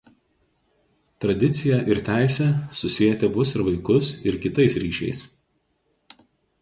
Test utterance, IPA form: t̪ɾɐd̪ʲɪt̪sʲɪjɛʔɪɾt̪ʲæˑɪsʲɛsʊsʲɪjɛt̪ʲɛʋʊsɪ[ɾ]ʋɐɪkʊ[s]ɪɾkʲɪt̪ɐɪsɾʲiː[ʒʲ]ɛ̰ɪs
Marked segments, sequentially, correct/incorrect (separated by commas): correct, correct, incorrect